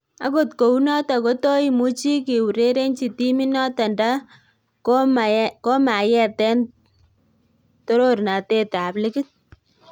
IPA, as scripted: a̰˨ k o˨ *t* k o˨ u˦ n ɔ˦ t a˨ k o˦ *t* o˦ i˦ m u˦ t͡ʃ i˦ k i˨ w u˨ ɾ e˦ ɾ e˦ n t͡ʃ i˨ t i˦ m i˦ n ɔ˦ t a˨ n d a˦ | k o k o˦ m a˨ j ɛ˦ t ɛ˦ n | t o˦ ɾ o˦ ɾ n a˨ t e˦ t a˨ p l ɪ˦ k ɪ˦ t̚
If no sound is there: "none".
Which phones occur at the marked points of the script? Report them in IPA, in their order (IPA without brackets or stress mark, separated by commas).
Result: t, t